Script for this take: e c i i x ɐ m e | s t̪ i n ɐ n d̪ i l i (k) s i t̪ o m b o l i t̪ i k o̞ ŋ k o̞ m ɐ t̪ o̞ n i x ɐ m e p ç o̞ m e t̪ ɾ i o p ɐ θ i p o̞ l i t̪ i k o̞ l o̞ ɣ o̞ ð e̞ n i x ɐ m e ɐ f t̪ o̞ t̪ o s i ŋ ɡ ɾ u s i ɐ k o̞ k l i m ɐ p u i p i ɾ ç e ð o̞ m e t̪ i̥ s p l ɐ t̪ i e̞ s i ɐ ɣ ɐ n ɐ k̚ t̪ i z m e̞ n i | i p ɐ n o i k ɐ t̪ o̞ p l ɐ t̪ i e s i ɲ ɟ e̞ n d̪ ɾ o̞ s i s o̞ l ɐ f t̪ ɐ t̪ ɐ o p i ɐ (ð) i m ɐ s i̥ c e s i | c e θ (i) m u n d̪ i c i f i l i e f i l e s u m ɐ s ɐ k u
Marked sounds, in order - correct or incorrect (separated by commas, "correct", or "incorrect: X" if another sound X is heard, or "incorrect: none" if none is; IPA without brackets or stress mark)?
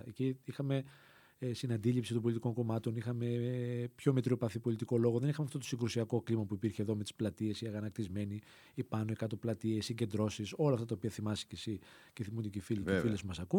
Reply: incorrect: p, incorrect: θ, correct